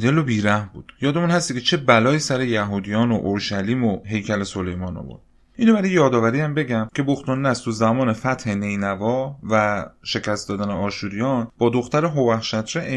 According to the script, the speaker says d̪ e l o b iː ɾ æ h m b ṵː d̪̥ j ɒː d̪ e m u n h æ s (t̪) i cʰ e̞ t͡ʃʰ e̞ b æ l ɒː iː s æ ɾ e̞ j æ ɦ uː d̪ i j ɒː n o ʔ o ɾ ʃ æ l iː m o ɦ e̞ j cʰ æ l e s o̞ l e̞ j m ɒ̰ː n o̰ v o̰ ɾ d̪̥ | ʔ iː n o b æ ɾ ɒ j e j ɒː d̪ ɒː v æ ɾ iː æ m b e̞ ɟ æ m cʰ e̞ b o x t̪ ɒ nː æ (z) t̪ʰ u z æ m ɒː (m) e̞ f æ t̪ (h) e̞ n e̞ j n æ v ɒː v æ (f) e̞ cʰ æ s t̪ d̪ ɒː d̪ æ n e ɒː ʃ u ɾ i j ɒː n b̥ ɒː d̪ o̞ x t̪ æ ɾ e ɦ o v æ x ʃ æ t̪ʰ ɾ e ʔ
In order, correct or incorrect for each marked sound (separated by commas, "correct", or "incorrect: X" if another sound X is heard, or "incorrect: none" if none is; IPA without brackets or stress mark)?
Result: correct, incorrect: s, incorrect: n, correct, incorrect: ʃ